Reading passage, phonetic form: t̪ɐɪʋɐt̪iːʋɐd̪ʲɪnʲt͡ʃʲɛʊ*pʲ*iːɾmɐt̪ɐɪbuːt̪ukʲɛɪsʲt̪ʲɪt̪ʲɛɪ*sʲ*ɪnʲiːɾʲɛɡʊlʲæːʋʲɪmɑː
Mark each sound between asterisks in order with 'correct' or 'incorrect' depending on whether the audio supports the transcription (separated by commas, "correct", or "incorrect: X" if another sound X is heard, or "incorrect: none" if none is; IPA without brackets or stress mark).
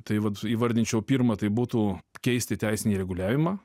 correct, correct